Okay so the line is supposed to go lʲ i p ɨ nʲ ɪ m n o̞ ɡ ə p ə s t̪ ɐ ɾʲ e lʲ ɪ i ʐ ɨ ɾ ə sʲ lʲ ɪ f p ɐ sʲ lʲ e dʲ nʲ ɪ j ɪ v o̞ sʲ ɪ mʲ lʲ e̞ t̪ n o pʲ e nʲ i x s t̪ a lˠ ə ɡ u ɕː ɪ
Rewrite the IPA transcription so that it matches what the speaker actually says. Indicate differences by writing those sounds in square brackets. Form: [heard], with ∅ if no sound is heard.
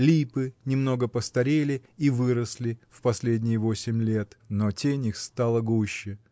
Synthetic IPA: lʲ i p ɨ nʲ ɪ m n o̞ ɡ ə p ə s t̪ ɐ ɾʲ e lʲ ɪ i [v] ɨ ɾ ə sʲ lʲ ɪ f p ɐ sʲ lʲ e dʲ nʲ ɪ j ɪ v o̞ sʲ ɪ mʲ lʲ e̞ t̪ n o [tʲ] e nʲ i x s t̪ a lˠ ə ɡ u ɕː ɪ

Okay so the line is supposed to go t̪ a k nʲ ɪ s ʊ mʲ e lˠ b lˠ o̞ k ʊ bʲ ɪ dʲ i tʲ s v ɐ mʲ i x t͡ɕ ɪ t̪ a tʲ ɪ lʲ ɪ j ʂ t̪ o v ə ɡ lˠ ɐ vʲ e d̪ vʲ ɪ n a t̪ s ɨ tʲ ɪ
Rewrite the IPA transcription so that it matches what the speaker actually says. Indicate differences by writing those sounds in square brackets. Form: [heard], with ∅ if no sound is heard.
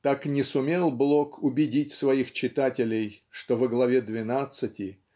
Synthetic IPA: t̪ a k nʲ ɪ s ʊ mʲ e lˠ b lˠ o̞ k ʊ bʲ ɪ dʲ i tʲ s v ɐ [∅] i x t͡ɕ ɪ t̪ a tʲ ɪ lʲ ɪ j ʂ t̪ o v ə ɡ lˠ ɐ vʲ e d̪ vʲ ɪ n a t̪ s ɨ tʲ ɪ

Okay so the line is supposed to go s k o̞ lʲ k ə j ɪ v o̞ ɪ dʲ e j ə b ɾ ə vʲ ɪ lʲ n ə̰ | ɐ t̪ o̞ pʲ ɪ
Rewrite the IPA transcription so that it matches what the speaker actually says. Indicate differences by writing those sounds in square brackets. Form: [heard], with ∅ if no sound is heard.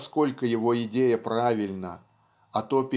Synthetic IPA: s k o̞ lʲ k ə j ɪ v o̞ ɪ dʲ e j ə [p] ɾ [a] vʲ ɪ lʲ n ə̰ | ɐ t̪ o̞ pʲ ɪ

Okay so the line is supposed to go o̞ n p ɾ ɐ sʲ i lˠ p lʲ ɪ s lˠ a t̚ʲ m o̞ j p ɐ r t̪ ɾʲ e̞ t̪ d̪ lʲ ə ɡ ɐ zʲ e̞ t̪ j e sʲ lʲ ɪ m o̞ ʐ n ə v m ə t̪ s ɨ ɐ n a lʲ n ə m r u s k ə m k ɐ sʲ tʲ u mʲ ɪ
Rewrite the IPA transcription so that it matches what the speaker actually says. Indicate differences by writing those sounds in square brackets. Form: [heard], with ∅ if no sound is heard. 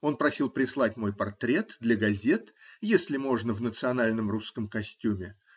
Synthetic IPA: o̞ n p ɾ ɐ sʲ i lˠ p [ɾʲ] ɪ s lˠ a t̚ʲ m o̞ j p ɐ r t̪ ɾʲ e̞ t̪ d̪ lʲ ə ɡ ɐ zʲ e̞ t̪ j e sʲ lʲ ɪ m o̞ ʐ n ə v [n] ə t̪ s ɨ ɐ n a lʲ n ə m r u s k ə m k ɐ sʲ tʲ u mʲ ɪ

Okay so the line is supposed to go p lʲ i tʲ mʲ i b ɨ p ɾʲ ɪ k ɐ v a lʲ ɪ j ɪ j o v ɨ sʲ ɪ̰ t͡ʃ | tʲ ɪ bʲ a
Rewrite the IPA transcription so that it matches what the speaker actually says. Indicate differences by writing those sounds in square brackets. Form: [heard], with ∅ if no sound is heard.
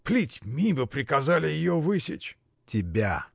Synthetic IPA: p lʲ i tʲ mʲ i b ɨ p ɾʲ ɪ k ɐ [z] a lʲ ɪ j ɪ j o v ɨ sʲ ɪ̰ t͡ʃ | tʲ ɪ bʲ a

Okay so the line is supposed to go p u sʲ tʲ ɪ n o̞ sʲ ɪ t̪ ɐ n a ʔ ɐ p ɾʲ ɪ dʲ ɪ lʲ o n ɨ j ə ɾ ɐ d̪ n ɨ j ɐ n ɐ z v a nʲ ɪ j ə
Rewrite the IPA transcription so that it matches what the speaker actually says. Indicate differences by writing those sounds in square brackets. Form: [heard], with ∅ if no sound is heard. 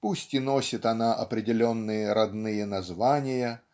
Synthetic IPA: p u sʲ tʲ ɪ n o̞ sʲ ɪ t̪ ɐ n a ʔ ɐ p ɾʲ ɪ dʲ ɪ lʲ o [nː] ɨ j ə ɾ ɐ d̪ n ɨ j [ə] n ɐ z v a nʲ ɪ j ə

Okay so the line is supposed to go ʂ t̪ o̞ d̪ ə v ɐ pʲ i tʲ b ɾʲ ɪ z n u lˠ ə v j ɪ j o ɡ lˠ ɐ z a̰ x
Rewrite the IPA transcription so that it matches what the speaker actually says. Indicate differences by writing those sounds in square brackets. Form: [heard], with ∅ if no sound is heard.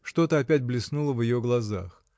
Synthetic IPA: ʂ t̪ o̞ [t̪] ə [∅] ɐ pʲ [æ] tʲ b [lʲ] ɪ [s] n u lˠ ə v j ɪ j o ɡ lˠ ɐ z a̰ x

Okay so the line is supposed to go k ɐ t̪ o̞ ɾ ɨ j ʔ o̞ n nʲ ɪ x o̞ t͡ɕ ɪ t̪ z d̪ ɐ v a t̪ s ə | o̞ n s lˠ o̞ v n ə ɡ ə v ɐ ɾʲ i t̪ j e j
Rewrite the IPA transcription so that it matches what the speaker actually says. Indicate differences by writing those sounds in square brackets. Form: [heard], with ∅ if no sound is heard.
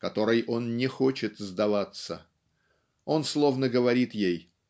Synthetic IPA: k ɐ t̪ o̞ ɾ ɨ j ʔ o̞ n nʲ ɪ x o̞ t͡ɕ ɪ t̪ z d̪ ɐ v a t̪ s ə | o̞ n s lˠ o̞ v n ə ɡ ə v ɐ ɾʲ i t̪ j e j

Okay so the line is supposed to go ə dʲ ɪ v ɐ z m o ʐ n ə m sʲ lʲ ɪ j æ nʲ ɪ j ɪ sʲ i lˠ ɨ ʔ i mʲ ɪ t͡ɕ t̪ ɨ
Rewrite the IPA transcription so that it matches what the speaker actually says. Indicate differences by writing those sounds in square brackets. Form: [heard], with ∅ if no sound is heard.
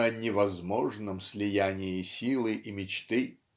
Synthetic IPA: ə [nʲ] ɪ v ɐ z m o ʐ n ə m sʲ lʲ ɪ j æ nʲ ɪ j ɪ sʲ i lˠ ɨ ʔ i mʲ ɪ t͡ɕ t̪ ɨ

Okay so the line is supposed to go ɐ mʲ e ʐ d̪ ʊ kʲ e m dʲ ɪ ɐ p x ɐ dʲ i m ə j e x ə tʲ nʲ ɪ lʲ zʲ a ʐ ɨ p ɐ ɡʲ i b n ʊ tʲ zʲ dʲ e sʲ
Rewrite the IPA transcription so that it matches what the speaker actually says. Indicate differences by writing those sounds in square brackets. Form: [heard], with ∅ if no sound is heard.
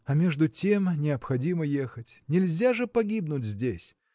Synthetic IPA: ɐ mʲ e ʐ d̪ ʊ [tʲ] e m [nʲ] ɪ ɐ p x ɐ dʲ i m ə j e x ə tʲ nʲ ɪ lʲ zʲ a ʐ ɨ p ɐ ɡʲ i b n ʊ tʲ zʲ dʲ e sʲ

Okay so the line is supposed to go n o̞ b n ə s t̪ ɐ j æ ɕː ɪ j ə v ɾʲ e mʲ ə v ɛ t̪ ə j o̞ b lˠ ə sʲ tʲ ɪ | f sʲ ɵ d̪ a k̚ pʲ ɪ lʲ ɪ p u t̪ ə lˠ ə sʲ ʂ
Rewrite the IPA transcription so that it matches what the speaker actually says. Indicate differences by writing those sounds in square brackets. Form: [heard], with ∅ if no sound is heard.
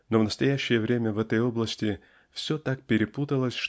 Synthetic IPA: n o̞ [v] n ə s t̪ ɐ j æ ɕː ɪ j ə v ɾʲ e mʲ ə v ɛ t̪ ə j o̞ b lˠ ə sʲ tʲ ɪ | f sʲ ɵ [t̪] a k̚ pʲ ɪ [ɾʲ] ɪ p u t̪ ə lˠ ə sʲ ʂ

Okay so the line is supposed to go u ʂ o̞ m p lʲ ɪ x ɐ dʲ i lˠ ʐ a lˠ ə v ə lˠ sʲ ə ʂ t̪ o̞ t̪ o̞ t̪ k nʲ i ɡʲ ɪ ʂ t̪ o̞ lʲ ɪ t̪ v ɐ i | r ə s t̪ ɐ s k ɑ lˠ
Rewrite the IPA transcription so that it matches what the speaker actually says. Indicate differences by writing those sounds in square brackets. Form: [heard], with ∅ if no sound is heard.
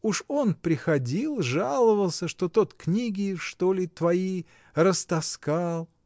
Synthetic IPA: u ʂ o̞ [n] p [ɾʲ] ɪ x ɐ dʲ i lˠ ʐ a lˠ ə v ə lˠ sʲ ə ʂ t̪ o̞ t̪ o̞ t̪ k nʲ i ɡʲ ɪ ʂ t̪ o̞ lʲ ɪ t̪ v ɐ i | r ə s t̪ ɐ s k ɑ lˠ

